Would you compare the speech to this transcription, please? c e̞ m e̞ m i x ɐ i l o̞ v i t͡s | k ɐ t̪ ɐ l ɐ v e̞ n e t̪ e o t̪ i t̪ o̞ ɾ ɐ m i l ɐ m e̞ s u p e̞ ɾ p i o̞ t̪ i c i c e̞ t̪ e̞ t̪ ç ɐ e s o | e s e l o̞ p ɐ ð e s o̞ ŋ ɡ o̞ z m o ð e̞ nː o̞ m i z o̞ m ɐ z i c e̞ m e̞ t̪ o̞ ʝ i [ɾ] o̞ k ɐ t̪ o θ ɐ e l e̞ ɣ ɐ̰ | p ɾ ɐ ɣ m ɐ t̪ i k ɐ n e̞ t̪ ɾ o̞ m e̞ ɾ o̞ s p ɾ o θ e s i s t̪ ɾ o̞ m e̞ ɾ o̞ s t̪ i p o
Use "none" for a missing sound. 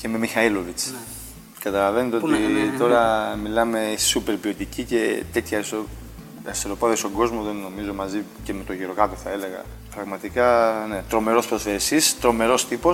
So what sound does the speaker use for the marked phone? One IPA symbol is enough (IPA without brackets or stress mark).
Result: ɾ